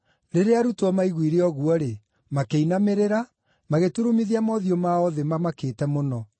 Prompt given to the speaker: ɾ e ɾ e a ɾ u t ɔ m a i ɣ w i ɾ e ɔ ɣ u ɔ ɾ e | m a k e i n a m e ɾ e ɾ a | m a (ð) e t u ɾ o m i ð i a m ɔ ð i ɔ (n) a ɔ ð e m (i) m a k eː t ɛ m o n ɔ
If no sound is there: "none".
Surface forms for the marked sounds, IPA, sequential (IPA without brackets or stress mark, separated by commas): ɣ, m, a